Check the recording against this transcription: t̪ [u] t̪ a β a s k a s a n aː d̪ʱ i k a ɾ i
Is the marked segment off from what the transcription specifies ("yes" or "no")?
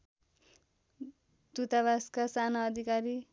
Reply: no